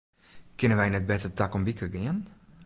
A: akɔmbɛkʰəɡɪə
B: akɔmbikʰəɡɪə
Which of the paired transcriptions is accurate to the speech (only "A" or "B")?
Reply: B